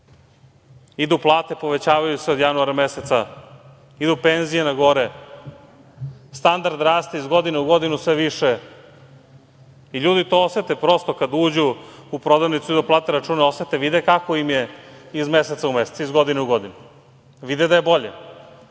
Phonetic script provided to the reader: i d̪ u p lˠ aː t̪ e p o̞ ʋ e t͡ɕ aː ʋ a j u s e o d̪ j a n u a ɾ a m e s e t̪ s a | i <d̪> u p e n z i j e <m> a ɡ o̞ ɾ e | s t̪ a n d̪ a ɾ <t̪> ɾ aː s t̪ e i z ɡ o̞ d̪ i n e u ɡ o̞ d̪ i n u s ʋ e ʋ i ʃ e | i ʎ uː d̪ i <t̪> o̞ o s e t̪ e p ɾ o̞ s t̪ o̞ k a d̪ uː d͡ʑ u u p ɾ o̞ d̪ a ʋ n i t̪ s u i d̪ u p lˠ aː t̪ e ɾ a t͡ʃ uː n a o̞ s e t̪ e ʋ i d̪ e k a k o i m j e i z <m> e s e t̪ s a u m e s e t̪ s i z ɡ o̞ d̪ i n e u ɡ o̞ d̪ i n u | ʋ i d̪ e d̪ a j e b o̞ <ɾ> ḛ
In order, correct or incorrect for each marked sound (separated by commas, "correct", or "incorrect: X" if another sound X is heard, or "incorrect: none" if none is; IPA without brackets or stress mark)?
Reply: correct, incorrect: n, incorrect: d̪, correct, correct, incorrect: ʎ